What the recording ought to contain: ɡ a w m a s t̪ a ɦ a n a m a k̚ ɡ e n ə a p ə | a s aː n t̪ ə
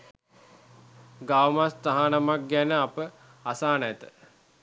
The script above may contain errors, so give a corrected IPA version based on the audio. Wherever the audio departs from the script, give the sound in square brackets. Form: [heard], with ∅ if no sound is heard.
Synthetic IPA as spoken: ɡ a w m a s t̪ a ɦ a n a m a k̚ ɡ [æ] n ə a p ə | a s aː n t̪ ə